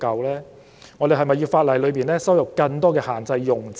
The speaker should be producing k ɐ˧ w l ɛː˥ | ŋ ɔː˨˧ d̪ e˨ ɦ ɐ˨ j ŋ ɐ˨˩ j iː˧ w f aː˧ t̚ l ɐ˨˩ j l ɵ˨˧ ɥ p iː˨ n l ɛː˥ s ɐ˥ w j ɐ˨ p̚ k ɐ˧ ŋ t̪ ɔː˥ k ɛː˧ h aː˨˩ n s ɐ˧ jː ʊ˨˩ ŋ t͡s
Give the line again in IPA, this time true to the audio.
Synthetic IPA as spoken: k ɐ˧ w l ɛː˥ | ŋ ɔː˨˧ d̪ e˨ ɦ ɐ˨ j m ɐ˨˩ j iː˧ w f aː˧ t̚ l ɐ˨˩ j l ɵ˨˧ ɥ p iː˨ n l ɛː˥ s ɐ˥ w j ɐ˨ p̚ k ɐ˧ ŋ t̪ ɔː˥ k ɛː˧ h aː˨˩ n t͡s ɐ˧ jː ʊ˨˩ ŋ t͡s